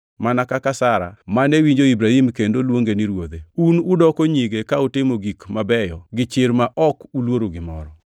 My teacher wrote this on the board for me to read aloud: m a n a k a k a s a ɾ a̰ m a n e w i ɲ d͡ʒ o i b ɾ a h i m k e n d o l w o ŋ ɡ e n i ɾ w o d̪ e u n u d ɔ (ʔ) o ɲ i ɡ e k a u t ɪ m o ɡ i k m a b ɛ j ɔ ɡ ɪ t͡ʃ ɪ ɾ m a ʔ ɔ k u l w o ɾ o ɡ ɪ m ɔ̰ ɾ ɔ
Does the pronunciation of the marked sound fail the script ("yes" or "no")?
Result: yes